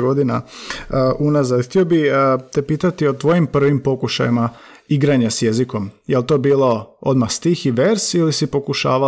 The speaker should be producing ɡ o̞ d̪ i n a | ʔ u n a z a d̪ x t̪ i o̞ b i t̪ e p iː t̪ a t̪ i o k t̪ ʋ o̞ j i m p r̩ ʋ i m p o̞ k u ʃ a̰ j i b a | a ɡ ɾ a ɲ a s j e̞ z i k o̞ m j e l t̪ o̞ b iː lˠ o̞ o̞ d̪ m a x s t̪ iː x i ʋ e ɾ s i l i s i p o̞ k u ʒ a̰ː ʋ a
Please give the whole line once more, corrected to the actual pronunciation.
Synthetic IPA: ɡ o̞ d̪ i n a | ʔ u n a z a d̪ x t̪ i o̞ b i t̪ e p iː t̪ a t̪ i o t̪ ʋ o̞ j i m p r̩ ʋ i m p o̞ k u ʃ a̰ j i m a | i ɡ ɾ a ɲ a s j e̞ z i k o̞ m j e l t̪ o̞ b iː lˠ o̞ o̞ d̪ m a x s t̪ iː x i ʋ e ɾ s i l i s i p o̞ k u ʃ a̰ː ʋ a